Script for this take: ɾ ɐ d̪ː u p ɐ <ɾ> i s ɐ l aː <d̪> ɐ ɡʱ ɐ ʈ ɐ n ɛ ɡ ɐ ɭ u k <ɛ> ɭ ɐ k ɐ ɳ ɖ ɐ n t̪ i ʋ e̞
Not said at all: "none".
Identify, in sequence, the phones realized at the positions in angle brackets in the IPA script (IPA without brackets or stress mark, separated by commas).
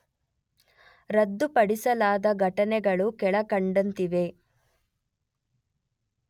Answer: ɽ, d̪, ɛ